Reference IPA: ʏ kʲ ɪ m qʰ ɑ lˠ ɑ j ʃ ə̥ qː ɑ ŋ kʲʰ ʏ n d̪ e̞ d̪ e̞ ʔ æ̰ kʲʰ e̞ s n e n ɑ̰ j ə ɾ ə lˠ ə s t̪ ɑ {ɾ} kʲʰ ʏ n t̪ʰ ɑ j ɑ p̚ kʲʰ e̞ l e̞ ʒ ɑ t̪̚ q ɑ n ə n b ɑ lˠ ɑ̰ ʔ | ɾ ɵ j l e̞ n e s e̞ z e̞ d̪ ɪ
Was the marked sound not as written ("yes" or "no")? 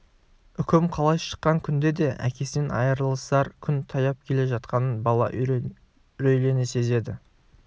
no